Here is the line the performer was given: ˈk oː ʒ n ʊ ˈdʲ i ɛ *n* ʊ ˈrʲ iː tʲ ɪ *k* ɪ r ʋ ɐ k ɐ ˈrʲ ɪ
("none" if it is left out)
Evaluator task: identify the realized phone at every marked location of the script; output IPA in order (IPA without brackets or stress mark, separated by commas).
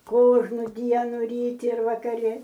n, none